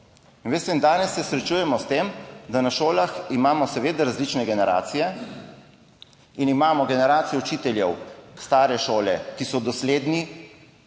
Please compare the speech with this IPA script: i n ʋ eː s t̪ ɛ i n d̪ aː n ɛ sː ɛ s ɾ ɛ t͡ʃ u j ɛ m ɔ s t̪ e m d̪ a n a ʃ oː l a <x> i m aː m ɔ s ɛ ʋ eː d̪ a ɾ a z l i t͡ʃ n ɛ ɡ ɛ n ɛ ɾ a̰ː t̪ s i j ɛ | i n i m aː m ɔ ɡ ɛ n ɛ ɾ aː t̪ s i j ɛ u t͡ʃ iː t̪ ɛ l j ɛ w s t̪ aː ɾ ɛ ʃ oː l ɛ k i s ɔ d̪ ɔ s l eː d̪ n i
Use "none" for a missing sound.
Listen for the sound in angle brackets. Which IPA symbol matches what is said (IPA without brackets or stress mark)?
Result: x